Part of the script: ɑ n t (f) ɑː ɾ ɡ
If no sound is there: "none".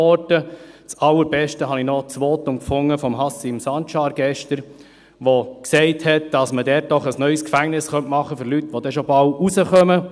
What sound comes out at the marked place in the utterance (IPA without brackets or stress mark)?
ʃ